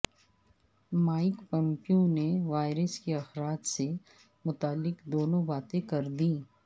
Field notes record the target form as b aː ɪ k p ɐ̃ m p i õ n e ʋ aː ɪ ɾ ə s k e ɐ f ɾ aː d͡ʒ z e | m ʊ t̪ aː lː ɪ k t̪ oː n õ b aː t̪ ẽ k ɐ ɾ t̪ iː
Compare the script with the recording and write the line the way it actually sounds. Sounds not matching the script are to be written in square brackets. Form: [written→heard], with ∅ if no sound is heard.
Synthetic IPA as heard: [b→m] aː ɪ k p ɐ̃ m p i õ n e ʋ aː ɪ ɾ ə s k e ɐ [f→x] ɾ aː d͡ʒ [z→s] e | m ʊ t̪ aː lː ɪ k [t̪→d̪] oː n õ b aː t̪ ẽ k ɐ ɾ [t̪→d̪] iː